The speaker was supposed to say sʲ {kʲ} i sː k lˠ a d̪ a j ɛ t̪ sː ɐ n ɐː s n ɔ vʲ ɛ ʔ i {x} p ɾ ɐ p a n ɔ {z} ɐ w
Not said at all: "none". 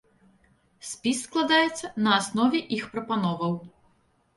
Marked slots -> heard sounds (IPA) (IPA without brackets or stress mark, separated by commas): pʲ, x, v